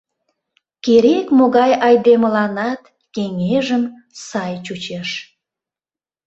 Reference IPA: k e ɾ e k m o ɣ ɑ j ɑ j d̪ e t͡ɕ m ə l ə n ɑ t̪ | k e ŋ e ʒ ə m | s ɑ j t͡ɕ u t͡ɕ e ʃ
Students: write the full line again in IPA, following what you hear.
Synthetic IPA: k e ɾ e k m o ɣ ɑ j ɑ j d̪ e m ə l ɑ n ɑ t̪ | k e ŋ e ʒ ə m | s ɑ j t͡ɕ u t͡ɕ e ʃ